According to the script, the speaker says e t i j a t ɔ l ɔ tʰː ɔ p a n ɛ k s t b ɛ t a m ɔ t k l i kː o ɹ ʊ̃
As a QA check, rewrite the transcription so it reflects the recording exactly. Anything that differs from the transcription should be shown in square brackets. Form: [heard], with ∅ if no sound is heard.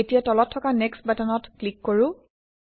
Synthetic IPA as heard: e t i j a t ɔ l ɔ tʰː ɔ [k] a n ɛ k s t b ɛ t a [n] ɔ t k l i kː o ɹ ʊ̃